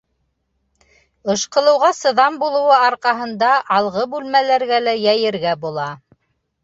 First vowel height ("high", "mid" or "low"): mid